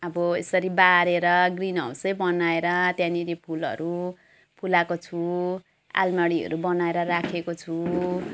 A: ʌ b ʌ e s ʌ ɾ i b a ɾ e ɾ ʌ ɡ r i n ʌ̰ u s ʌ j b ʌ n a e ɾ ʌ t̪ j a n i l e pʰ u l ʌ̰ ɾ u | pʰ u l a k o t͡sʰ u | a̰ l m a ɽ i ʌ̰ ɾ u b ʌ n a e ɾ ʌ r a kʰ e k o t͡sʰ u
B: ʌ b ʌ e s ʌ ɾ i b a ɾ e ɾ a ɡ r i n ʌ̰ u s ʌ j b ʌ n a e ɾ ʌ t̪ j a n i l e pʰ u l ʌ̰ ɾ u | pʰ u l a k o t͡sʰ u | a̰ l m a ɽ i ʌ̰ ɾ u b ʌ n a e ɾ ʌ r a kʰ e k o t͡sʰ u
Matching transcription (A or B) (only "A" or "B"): A